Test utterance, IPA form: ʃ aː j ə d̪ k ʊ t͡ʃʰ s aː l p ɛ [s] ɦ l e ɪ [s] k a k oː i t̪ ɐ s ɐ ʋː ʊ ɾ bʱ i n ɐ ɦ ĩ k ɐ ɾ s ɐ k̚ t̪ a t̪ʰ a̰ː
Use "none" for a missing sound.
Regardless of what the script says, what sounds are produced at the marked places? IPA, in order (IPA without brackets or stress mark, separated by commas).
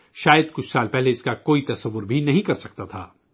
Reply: none, s